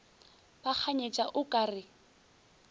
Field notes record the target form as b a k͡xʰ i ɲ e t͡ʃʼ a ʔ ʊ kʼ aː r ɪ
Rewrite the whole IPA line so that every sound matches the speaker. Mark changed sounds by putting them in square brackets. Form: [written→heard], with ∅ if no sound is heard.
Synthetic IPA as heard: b a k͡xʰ [i→a] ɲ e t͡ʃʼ a ʔ ʊ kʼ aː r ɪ